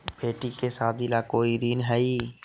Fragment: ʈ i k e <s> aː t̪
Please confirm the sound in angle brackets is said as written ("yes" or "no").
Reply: yes